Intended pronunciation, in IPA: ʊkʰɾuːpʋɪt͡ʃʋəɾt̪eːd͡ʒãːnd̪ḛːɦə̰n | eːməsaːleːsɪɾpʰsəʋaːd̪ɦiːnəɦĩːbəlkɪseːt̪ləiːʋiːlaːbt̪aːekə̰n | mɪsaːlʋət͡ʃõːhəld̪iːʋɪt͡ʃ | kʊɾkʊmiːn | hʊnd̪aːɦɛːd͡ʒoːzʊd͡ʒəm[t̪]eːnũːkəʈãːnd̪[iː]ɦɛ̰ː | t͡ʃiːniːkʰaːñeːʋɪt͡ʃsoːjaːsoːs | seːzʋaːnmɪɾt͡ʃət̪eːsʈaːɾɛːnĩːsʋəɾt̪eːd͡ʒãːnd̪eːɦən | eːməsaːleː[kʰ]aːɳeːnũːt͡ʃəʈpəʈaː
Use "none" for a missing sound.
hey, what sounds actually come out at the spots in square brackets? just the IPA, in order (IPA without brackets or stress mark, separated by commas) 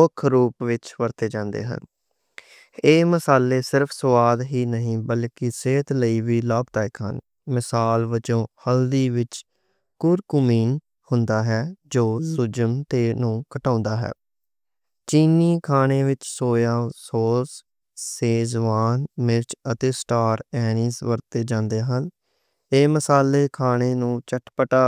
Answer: t̪, aː, kʰ